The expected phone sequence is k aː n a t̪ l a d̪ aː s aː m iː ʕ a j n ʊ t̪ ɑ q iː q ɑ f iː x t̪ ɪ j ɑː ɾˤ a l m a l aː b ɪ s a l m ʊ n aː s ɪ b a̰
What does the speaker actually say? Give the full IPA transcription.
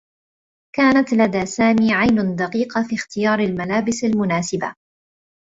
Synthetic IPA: k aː n a t̪ l a d̪ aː s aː m iː ʕ a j n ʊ d̪ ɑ q iː q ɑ f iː x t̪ ɪ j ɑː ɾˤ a l m a l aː b ɪ s a l m ʊ n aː s ɪ b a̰

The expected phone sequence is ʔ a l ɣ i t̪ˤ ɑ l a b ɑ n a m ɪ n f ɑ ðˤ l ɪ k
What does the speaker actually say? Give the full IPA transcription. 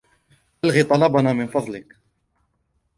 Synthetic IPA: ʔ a l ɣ i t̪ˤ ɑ l ɑ b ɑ n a m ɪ n f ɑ ðˤ l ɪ k

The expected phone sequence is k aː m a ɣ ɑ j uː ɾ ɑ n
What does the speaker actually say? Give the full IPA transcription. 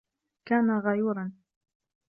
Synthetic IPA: k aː n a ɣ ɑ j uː ɾ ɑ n

